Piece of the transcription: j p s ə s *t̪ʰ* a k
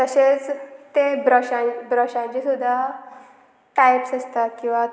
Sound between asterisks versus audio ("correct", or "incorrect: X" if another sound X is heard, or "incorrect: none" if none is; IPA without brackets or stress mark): incorrect: t̪